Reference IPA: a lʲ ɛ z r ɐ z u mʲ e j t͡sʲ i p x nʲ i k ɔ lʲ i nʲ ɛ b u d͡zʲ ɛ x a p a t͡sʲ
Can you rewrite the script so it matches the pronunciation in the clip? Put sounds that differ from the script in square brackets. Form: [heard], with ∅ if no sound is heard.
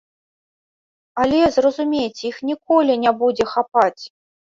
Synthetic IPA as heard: a lʲ ɛ z r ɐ z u mʲ e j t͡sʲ i [∅] x nʲ i k ɔ lʲ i nʲ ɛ b u d͡zʲ ɛ x a p a t͡sʲ